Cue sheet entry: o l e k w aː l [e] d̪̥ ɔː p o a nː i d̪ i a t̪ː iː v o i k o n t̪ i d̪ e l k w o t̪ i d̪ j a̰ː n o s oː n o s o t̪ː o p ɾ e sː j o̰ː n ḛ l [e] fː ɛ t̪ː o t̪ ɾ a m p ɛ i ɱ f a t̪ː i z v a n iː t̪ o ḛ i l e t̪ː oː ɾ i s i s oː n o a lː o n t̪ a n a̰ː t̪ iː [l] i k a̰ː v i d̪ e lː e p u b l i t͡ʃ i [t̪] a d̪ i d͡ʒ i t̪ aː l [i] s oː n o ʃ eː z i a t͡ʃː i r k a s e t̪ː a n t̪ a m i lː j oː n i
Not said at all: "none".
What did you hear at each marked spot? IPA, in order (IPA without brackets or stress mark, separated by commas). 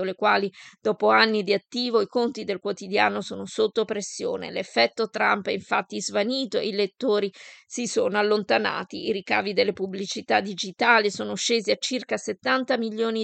i, e, ɾ, t̪, i